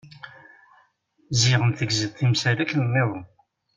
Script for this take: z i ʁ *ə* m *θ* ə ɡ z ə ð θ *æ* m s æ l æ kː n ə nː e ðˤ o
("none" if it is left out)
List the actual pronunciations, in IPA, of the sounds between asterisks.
ə, θ, i

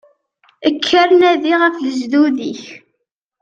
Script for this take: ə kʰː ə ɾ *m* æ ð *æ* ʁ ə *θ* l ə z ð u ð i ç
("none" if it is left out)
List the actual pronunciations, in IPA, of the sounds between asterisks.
n, i, f

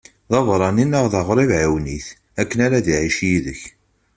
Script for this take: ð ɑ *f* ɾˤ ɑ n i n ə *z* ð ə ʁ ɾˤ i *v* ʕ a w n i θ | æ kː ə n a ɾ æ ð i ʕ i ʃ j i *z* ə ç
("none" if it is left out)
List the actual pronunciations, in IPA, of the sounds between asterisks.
v, ʁ, v, ð

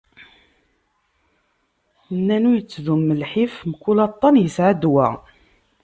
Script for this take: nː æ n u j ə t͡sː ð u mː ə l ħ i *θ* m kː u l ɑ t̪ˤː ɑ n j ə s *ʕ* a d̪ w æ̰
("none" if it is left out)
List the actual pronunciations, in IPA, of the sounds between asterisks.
f, ʕ

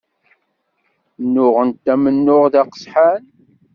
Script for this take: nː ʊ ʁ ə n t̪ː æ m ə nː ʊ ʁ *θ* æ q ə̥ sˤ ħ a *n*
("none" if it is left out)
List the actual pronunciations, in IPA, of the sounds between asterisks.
ð, n

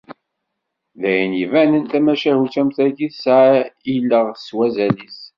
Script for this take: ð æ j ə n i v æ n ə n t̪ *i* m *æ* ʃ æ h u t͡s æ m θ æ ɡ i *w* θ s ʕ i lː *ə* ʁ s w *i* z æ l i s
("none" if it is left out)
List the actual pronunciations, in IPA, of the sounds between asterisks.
æ, æ, none, ə, æ

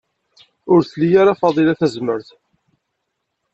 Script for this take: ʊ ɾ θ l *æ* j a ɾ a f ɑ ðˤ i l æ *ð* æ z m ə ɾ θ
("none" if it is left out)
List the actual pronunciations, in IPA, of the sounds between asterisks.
i, θ

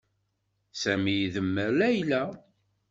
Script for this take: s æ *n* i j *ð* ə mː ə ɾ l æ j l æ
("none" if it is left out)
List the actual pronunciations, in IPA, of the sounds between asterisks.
m, ð

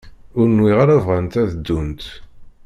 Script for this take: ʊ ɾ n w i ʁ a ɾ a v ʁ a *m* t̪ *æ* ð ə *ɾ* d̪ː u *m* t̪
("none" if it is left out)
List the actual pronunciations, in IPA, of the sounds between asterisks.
n, æ, none, n

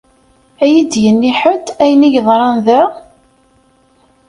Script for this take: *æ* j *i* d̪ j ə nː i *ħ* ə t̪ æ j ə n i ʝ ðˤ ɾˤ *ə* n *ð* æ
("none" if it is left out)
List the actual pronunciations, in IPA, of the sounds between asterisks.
æ, i, ħ, ɑ, ð

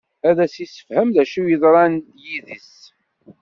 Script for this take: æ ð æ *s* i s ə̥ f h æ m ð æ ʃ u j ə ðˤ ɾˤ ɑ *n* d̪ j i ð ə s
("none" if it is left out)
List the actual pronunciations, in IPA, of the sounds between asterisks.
s, n

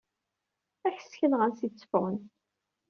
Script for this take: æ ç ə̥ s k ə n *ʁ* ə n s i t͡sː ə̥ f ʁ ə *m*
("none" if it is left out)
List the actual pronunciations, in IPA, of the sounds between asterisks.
ʁ, n

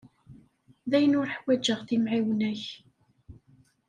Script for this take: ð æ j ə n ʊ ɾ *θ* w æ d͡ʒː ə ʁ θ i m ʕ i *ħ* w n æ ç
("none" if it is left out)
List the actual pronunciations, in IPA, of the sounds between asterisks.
ħ, none

